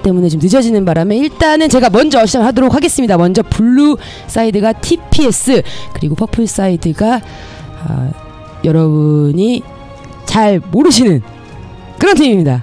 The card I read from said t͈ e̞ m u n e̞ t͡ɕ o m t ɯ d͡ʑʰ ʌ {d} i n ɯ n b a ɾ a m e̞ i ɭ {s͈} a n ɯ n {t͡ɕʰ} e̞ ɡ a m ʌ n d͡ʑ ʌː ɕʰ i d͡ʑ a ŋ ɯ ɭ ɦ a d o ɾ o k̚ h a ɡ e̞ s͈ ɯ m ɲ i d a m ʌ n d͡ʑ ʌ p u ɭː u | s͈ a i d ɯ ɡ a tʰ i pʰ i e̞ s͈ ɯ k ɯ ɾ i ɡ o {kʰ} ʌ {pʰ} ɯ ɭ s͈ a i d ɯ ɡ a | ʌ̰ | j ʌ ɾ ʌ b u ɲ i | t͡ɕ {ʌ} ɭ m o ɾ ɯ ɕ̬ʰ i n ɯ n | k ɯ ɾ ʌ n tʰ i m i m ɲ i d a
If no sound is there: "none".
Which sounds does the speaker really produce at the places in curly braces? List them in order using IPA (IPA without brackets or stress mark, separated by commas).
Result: d͡ʑ, t͈, t͡ɕ, pʰ, pʰ, a